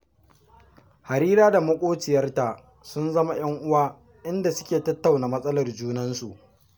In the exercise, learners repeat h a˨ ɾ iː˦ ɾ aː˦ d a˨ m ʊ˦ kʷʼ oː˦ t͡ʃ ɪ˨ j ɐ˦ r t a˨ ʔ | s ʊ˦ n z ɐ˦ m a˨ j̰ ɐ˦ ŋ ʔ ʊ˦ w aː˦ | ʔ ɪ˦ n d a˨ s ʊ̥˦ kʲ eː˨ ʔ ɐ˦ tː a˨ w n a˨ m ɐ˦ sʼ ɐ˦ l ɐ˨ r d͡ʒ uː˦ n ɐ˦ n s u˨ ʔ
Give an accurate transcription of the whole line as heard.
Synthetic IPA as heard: h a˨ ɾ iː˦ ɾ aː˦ d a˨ m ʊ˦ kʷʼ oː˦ t͡ʃ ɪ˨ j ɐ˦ r t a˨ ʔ | s ʊ˦ n z ɐ˦ m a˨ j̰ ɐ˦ ŋ ʔ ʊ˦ w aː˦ | ʔ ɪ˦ n d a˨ s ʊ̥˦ kʲ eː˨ t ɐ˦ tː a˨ w n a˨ m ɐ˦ sʼ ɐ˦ l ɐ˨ r d͡ʒ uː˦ n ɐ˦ n s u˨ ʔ

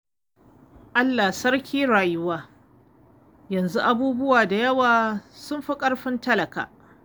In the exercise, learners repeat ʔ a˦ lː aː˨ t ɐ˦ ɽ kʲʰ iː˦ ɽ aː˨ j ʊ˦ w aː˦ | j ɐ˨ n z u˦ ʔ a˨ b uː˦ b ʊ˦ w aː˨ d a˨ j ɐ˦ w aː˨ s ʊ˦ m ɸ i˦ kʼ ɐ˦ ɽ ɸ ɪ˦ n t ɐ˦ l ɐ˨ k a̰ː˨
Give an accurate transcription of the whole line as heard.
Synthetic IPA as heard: ʔ a˦ lː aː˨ s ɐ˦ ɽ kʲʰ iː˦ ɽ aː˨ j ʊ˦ w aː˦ | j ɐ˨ n z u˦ ʔ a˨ b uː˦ b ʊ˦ w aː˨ d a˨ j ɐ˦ w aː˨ s ʊ˦ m ɸ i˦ kʼ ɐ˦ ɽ ɸ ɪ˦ n t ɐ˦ l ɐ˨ k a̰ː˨

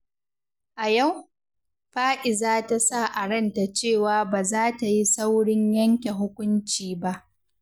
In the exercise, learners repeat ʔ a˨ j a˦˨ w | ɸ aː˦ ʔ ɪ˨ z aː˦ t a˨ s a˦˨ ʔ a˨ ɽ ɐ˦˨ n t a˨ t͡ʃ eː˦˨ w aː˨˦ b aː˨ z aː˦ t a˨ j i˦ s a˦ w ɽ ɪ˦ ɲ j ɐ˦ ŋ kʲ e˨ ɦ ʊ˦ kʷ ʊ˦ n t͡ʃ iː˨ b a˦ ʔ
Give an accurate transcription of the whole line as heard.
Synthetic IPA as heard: ʔ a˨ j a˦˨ w | ɸ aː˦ ʔ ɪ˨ z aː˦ t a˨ s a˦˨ ʔ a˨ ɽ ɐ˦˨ n t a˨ t͡ʃ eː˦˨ w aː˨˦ b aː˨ z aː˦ t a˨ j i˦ s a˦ w ɽ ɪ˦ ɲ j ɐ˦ ŋ kʲ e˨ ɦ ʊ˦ kʷ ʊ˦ n t͡ʃ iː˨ b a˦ ʔ

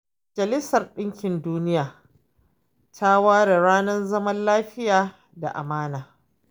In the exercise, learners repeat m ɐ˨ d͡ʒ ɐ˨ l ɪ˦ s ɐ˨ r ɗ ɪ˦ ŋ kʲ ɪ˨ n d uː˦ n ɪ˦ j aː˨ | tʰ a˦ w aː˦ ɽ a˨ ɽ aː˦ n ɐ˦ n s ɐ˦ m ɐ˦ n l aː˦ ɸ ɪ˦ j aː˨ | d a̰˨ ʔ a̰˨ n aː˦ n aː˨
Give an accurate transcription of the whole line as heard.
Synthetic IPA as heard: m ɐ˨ d͡ʒ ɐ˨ l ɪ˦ s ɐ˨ r ɗ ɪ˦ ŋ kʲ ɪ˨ n d uː˦ n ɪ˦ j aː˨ | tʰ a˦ w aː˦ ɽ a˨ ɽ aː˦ n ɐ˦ n z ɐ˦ m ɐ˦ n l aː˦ ɸ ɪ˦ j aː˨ | d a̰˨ ʔ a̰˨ m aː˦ n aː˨

